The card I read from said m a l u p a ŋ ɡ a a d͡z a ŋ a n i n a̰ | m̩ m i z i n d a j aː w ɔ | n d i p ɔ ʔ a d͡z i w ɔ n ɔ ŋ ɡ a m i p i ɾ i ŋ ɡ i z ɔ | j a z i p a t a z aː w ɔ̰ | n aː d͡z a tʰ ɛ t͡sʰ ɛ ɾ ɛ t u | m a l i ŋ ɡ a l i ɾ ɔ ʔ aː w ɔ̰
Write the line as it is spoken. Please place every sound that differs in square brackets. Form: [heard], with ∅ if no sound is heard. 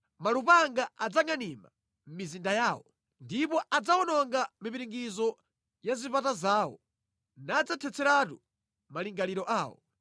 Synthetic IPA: m a l u p a ŋ ɡ a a d͡z a ŋ a n i [m] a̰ | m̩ m i z i n d a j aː w ɔ | n d i p ɔ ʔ a d͡z [a] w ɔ n ɔ ŋ ɡ a m i p i ɾ i ŋ ɡ i z ɔ | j a z i p a t a z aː w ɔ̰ | n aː d͡z a tʰ ɛ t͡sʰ ɛ ɾ [a] t u | m a l i ŋ ɡ a l i ɾ ɔ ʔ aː w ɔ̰